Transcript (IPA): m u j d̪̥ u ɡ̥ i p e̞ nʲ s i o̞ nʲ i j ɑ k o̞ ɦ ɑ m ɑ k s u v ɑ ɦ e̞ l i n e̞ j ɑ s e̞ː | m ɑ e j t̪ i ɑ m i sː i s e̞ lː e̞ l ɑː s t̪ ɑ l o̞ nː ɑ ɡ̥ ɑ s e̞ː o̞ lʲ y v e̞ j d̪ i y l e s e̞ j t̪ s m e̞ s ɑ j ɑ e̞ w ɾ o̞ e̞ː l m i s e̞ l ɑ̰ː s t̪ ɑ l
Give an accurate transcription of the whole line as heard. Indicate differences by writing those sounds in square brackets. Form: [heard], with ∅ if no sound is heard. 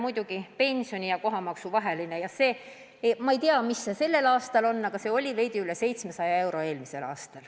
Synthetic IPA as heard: m u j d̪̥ u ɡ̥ i p e̞ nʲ s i o̞ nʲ i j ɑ k o̞ ɦ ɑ m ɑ k s u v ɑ ɦ e̞ l i n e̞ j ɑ s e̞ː | m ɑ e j t̪ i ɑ m i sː [e] s e̞ lː e̞ l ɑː s t̪ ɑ l o̞ nː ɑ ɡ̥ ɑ s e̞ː o̞ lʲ [i] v e̞ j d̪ i y l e s e̞ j t̪ s m e̞ s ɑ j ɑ e̞ w ɾ o̞ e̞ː l m i s e̞ l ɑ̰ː s t̪ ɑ l